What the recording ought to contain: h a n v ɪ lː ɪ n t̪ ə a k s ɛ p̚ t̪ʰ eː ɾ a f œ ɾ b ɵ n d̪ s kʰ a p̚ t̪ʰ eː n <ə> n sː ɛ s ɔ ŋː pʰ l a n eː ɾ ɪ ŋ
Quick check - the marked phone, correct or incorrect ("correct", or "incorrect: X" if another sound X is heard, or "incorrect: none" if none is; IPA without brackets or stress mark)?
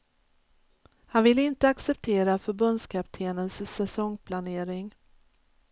correct